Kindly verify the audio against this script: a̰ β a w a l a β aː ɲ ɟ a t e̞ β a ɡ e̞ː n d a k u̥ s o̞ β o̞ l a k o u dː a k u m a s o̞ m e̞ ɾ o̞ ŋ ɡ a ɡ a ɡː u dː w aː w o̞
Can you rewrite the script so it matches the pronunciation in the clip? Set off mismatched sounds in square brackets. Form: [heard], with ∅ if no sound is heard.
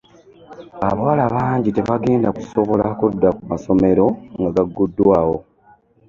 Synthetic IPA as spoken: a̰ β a w a l a β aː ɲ ɟ [i] t e̞ β a ɡ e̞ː n d a k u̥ s o̞ β o̞ l a k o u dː a k u m a s o̞ m e̞ ɾ o̞ ŋ ɡ a ɡ a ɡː u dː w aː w o̞

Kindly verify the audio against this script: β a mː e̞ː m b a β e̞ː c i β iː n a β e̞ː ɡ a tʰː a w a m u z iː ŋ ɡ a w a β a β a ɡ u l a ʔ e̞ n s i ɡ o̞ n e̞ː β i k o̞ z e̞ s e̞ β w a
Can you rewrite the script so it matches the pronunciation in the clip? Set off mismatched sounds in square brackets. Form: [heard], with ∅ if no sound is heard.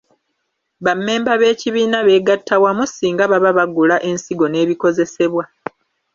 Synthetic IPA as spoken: β a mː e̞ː m b a β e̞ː c i β iː n a β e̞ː ɡ a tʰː a w a m u [s] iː ŋ ɡ a [β] a β a β a ɡ u l a ʔ e̞ n s i ɡ o̞ n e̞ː β i k o̞ z e̞ s e̞ β w a

